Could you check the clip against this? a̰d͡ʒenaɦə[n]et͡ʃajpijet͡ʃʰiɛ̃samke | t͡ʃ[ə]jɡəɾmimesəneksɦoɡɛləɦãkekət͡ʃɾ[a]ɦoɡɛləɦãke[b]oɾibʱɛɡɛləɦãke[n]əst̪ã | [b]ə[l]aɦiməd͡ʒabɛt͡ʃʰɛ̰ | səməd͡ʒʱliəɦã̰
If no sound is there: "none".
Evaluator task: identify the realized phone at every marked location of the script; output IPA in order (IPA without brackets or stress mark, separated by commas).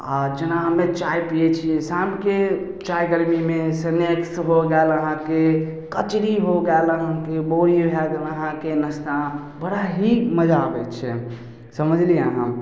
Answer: m, a, i, b, n, b, ɽ